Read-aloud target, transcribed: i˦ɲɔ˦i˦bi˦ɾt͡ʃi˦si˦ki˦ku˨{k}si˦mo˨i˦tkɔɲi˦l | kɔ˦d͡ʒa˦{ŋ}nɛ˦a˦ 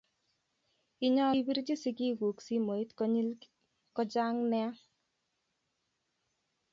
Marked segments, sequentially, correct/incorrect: correct, correct

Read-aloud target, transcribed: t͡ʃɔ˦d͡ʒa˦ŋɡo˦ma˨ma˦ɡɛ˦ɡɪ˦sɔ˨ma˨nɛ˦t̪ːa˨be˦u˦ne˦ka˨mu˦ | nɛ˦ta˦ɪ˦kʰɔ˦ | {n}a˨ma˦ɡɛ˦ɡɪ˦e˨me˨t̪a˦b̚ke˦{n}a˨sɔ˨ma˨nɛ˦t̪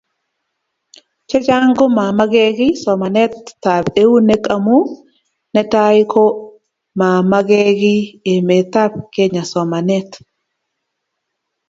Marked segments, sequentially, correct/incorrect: incorrect, incorrect

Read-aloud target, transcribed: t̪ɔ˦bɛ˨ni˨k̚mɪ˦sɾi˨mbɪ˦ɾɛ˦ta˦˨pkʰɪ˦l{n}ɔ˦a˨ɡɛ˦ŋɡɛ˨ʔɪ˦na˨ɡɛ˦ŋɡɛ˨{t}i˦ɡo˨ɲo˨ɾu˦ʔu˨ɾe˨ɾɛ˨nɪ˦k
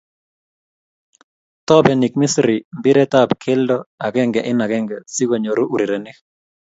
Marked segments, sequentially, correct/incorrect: incorrect, incorrect

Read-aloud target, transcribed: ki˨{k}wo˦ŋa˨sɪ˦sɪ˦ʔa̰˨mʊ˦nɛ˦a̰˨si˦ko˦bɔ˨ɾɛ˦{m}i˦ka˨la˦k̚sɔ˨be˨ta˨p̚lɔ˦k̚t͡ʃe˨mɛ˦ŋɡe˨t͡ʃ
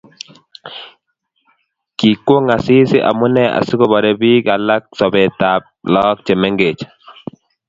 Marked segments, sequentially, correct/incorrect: correct, incorrect

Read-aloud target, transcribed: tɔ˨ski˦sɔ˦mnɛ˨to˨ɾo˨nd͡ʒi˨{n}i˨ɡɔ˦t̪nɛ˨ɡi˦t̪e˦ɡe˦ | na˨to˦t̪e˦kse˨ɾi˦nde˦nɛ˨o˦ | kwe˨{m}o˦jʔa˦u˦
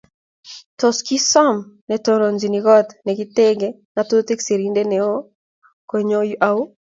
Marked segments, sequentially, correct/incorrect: correct, incorrect

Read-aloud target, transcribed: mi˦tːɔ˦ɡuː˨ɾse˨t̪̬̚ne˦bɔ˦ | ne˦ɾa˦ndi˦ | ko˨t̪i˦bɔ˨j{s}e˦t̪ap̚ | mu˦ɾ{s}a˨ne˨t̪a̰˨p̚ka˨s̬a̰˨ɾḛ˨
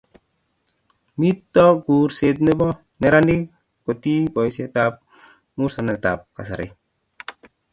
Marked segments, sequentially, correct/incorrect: correct, correct

